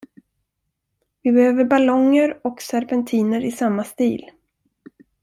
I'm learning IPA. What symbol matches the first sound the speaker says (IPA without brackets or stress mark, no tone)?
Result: v